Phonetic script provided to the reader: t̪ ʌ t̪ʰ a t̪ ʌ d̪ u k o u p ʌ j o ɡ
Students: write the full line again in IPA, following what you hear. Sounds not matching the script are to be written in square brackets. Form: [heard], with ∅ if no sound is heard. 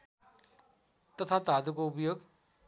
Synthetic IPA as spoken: t̪ ʌ t̪ʰ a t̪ [a] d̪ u k o u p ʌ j o ɡ